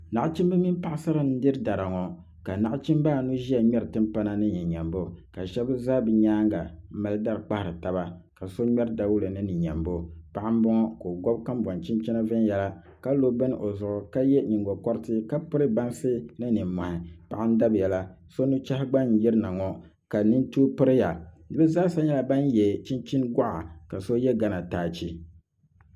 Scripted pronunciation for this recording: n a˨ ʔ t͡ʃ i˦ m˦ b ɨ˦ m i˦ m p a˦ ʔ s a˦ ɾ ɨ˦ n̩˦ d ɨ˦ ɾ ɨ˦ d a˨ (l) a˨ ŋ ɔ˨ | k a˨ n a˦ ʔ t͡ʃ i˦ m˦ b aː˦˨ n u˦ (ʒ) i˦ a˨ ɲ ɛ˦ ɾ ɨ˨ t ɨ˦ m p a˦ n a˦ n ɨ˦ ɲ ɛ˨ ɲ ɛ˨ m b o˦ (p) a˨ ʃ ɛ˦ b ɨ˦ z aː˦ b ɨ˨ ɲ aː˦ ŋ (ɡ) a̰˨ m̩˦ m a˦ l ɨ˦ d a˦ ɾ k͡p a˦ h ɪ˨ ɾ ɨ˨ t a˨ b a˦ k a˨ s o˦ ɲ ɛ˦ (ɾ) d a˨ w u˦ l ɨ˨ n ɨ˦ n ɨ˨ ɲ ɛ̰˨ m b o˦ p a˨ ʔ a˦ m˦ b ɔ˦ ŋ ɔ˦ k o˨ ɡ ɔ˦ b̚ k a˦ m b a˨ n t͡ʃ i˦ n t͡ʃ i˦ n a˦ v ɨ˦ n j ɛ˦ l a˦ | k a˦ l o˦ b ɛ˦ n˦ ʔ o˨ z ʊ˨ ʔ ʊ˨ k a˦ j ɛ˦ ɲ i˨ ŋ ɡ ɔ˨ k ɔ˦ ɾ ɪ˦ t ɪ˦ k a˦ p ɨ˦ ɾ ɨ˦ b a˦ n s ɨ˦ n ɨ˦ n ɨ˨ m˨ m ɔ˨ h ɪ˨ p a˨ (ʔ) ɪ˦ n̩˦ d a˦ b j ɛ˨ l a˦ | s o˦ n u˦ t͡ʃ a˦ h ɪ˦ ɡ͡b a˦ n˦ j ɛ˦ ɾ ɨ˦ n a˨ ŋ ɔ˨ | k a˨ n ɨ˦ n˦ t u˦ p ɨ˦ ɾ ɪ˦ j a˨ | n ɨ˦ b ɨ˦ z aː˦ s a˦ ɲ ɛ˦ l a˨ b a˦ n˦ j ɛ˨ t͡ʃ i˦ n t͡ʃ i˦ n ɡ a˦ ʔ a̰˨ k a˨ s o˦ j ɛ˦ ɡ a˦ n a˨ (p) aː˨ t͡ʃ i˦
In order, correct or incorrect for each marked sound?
incorrect: ɾ, correct, incorrect: k, correct, correct, correct, incorrect: t

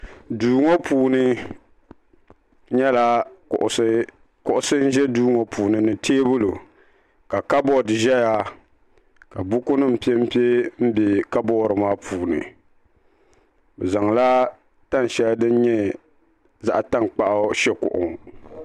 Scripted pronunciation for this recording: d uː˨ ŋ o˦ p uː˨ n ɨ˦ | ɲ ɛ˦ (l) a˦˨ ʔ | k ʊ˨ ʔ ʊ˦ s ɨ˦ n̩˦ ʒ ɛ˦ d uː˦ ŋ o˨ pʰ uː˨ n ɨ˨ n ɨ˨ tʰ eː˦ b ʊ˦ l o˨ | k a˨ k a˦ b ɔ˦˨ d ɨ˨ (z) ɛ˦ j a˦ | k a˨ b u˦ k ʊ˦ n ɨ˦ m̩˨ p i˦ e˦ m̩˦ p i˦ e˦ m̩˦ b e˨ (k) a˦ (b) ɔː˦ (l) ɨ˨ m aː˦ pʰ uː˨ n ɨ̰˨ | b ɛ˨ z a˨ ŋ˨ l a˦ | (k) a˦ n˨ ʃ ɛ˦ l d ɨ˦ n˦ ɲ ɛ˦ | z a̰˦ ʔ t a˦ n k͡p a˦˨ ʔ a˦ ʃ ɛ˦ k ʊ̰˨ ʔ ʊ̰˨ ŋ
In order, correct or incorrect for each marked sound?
correct, incorrect: ʒ, correct, correct, incorrect: ɾ, incorrect: t

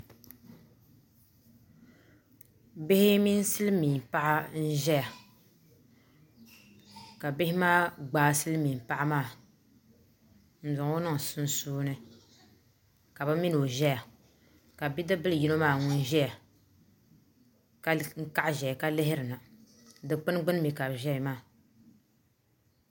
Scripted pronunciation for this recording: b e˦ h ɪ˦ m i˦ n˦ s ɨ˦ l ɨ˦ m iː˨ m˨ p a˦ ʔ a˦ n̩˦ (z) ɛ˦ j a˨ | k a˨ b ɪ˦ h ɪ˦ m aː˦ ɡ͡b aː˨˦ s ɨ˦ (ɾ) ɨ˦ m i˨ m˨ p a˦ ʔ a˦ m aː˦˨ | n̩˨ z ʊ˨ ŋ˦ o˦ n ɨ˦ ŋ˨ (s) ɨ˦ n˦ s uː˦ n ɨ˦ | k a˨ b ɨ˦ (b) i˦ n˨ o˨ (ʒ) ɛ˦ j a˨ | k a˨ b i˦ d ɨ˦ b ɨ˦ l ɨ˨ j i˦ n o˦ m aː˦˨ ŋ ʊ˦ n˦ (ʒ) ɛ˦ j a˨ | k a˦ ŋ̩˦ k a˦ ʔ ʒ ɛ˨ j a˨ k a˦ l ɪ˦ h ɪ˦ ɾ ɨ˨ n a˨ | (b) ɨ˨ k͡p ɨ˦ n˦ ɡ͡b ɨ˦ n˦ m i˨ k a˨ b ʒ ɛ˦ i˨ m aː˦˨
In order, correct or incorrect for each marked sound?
incorrect: ʒ, incorrect: l, correct, incorrect: m, correct, correct, incorrect: d

